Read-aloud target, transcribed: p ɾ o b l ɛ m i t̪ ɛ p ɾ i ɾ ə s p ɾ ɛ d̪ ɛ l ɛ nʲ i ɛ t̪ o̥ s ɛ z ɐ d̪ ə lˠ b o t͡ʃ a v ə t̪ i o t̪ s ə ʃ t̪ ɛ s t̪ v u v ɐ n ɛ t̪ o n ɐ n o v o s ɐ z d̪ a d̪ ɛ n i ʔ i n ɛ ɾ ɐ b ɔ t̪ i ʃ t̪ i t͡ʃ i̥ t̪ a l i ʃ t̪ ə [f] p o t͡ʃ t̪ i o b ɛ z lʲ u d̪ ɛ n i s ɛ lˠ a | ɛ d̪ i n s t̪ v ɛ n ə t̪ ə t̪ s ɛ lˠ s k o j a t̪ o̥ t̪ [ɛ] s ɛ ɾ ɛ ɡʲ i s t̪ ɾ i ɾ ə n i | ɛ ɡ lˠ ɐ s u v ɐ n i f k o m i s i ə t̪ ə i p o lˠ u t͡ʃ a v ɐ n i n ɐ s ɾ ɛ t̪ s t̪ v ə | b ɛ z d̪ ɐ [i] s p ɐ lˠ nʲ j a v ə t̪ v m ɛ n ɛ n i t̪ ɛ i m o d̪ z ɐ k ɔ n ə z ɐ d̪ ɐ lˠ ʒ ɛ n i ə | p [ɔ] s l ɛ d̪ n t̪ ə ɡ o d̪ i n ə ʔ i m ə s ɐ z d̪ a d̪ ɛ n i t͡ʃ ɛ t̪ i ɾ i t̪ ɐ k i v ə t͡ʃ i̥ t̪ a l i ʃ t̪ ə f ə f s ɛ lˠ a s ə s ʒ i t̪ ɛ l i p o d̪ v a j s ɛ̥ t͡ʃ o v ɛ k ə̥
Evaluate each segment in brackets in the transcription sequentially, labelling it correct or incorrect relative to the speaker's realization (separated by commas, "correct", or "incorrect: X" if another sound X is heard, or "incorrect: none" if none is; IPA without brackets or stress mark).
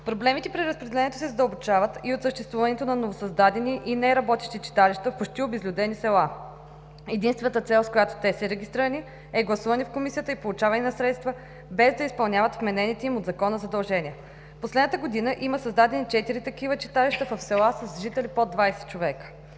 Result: correct, correct, correct, incorrect: o